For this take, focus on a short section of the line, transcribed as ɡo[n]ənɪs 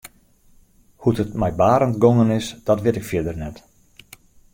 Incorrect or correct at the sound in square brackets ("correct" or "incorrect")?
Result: incorrect